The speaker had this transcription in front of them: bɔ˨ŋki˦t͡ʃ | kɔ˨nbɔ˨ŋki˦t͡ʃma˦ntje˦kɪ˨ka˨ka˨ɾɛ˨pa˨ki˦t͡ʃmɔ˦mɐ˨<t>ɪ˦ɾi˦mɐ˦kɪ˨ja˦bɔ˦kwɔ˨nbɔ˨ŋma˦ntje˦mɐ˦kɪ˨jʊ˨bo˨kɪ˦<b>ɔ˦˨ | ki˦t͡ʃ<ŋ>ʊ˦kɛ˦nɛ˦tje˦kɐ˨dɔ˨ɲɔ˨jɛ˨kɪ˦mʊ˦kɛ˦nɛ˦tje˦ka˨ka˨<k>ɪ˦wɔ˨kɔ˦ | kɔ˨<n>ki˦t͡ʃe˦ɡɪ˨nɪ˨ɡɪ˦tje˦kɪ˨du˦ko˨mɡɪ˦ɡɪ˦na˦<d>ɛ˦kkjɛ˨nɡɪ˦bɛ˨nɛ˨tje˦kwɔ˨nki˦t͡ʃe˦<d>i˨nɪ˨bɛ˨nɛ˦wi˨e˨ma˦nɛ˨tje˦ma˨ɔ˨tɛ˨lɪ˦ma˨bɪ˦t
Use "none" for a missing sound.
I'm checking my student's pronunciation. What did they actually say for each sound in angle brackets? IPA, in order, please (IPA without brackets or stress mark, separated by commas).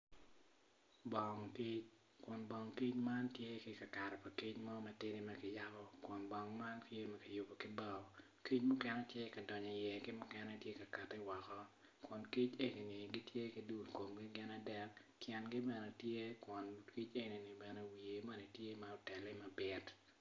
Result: t, b, m, t, n, d, n